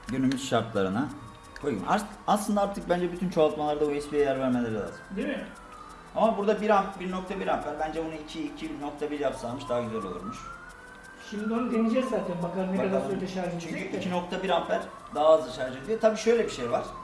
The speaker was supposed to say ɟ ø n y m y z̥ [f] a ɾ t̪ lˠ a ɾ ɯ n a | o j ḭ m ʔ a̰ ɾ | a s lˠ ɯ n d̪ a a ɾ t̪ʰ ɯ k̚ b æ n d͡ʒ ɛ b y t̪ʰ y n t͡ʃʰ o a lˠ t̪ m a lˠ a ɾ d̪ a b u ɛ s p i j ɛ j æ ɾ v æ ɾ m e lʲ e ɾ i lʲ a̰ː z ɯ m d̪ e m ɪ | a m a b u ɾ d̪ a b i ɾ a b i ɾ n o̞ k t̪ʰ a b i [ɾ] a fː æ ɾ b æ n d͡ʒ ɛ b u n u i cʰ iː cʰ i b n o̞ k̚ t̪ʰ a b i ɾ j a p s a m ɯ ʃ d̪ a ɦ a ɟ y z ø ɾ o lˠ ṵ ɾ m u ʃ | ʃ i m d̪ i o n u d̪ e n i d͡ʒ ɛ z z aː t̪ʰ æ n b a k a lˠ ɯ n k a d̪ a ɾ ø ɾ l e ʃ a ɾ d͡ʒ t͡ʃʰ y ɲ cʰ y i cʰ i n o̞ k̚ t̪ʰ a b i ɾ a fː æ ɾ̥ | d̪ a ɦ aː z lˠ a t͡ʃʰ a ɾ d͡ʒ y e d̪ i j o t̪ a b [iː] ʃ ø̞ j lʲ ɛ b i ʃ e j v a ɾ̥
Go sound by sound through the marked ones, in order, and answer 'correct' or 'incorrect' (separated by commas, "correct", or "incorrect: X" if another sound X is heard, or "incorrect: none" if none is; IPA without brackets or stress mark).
incorrect: ʃ, correct, correct